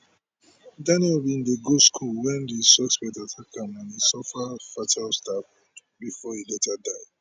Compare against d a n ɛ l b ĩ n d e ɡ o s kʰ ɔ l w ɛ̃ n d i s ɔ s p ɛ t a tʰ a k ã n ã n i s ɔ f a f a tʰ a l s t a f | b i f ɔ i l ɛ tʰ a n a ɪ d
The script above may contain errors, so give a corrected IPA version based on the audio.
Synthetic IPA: d a n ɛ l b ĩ n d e ɡ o s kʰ u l w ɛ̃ n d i s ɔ s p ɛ t a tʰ a k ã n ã n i s ɔ f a f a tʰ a l s t a f | b i f ɔ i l ɛ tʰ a d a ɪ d